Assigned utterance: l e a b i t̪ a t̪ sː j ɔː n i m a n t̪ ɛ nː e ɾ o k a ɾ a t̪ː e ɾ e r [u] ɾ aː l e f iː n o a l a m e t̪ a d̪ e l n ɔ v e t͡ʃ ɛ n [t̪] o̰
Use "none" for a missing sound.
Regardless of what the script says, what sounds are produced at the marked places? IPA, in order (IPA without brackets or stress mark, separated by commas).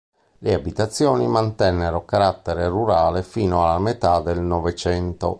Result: u, t̪